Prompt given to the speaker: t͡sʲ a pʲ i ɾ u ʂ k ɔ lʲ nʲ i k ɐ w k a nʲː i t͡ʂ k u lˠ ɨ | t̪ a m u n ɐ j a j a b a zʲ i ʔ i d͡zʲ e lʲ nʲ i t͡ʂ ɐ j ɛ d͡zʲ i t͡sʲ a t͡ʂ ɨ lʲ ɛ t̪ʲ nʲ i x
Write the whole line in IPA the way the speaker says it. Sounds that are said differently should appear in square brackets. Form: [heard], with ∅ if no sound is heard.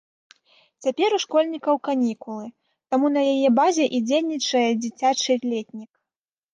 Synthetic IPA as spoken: t͡sʲ a pʲ [ɛ] ɾ u ʂ k ɔ lʲ nʲ i k ɐ w k a [nʲ] i [∅] k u lˠ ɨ | t̪ a m u n ɐ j a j [ɛ] b a zʲ [ɛ] ʔ i d͡zʲ e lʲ nʲ i t͡ʂ ɐ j ɛ d͡zʲ i t͡sʲ a t͡ʂ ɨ lʲ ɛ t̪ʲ nʲ i [k]